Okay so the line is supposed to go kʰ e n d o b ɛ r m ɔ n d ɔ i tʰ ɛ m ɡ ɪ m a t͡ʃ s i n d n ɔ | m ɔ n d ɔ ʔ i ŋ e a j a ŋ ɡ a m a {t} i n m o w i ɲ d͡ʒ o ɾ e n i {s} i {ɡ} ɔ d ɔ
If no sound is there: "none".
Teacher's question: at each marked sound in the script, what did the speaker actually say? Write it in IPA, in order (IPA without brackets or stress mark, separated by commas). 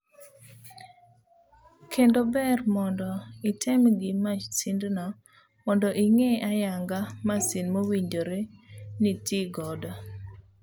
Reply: s, t, ɡ